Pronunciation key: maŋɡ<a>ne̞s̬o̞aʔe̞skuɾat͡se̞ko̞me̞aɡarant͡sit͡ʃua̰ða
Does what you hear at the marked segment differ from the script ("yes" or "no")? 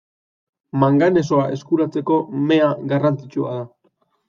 no